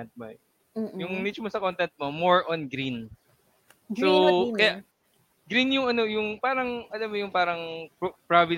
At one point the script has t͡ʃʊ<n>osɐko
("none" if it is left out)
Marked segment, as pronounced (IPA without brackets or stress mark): m